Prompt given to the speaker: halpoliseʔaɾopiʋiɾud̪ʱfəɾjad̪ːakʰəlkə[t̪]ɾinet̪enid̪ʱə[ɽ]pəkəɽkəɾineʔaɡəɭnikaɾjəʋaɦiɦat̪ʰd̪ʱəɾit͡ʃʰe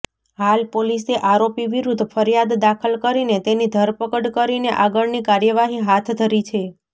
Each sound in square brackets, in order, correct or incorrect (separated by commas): incorrect, incorrect